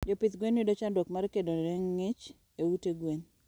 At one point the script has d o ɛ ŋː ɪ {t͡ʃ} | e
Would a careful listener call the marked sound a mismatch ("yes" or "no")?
no